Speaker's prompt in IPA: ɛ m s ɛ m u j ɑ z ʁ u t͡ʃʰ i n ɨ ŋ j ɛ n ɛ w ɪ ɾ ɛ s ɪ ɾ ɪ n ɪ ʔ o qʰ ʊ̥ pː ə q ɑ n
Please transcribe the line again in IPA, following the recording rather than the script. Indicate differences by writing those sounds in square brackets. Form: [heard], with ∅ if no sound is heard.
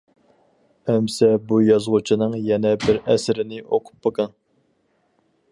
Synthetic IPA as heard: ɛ m s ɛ [b] u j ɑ z ʁ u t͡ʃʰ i n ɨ ŋ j ɛ n ɛ [b] ɪ ɾ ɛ s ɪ ɾ ɪ n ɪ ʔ o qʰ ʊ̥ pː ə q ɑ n